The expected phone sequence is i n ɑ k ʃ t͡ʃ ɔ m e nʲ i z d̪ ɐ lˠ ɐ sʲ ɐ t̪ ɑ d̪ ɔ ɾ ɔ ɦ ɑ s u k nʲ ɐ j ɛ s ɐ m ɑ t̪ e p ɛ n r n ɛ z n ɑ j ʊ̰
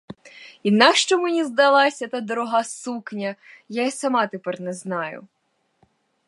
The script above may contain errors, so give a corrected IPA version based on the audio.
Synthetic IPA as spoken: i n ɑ k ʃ t͡ʃ ɔ m e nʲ i z d̪ ɐ lˠ ɑ sʲ ɐ t̪ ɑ d̪ ɔ ɾ ɔ ɦ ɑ s u k nʲ ɐ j a s ɐ m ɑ t̪ e p ɛ r n ɛ z n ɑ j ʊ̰